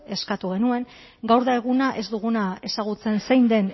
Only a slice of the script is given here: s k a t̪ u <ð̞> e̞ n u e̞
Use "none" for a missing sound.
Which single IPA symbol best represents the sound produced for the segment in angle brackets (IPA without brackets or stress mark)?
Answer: ɣ̞